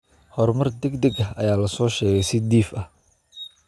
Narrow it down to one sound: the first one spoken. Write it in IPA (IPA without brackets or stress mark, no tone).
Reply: h